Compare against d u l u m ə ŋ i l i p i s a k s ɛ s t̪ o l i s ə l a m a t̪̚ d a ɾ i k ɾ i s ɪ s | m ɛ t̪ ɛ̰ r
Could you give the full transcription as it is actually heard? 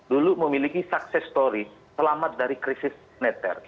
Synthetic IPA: d u l u m ə m i l i k i s a k s ɛ s t̪ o ɾ i s ə l a m a t̪̚ d a ɾ i k ɾ i s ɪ s | n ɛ t̪ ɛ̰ r